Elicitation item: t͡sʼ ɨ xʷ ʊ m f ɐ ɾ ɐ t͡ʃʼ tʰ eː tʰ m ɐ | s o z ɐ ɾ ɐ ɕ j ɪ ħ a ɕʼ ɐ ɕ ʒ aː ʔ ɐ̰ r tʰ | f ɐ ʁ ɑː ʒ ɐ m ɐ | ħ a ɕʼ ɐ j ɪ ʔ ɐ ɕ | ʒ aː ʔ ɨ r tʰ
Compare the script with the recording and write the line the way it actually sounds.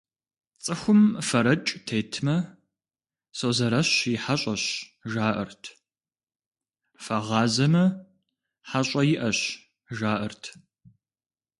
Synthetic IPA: t͡sʼ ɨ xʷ ʊ m f ɐ ɾ ɐ t͡ʃʼ tʰ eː tʰ m ɐ | s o z ɐ ɾ ɐ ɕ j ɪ ħ a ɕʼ ɐ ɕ ʒ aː ʔ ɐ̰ r tʰ | f ɐ ʁ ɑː z ɐ m ɐ | ħ a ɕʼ ɐ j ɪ ʔ ɐ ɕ | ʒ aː ʔ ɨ r tʰ

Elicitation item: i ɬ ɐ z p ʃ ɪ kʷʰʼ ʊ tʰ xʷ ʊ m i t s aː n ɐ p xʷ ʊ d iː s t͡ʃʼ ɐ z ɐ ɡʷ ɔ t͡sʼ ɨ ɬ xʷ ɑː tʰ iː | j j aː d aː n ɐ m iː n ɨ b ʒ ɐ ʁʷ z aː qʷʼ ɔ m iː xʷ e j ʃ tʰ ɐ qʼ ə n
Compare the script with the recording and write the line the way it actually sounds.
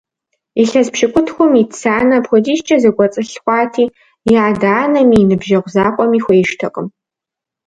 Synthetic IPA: i ɬ ɐ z p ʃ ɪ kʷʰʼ ʊ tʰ xʷ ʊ m i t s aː n ɐ p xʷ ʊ d iː ʃ t͡ʃʼ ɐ z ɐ ɡʷ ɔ t͡sʼ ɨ ɬ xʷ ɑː tʰ iː | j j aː d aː n ɐ m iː n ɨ b ʒ ɐ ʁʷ z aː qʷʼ ɔ m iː xʷ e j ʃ tʰ ɐ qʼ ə m

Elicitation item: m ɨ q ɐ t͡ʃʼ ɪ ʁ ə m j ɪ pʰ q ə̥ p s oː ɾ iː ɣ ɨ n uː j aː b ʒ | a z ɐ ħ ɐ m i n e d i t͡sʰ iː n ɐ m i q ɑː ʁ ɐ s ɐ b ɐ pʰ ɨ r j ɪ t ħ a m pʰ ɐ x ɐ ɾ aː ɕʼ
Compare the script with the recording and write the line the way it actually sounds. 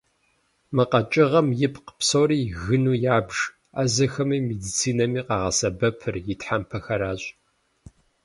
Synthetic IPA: m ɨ q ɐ t͡ʃʼ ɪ ʁ ɐ m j ɪ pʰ q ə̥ p s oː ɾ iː ɣ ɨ n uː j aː b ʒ | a z ɐ x ɐ m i m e d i t͡sʰ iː n ɐ m iː q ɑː ʁ ɐ s ɐ b ɐ pʰ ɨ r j ɪ t ħ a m pʰ ɐ x ɐ ɾ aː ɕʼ

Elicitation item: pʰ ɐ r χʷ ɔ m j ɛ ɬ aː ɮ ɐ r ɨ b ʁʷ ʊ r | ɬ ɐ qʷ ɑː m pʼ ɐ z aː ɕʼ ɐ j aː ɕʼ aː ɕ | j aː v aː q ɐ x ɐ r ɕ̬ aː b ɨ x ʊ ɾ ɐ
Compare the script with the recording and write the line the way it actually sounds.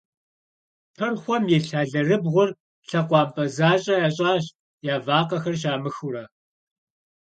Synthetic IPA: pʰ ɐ r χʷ ɔ m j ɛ ɬ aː ɮ ɐ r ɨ b ʁʷ ʊ r | ɬ ɐ qʷ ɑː m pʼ ɐ z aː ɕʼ ɐ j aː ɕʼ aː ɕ | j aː v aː q ɐ x ɐ r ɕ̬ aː m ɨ x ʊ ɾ ɐ

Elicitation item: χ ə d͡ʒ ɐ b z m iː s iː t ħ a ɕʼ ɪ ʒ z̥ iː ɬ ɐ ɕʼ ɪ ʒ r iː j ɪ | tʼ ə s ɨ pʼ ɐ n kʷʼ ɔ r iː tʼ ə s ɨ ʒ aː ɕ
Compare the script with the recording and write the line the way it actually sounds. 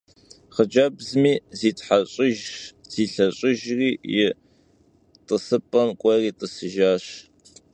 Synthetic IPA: χ ə d͡ʒ ɐ b z m iː z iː t ħ a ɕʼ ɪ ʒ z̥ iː ɬ ɐ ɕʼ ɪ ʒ r iː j ɪ | tʼ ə s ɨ pʼ ɐ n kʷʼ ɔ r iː tʼ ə s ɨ ʒ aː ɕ

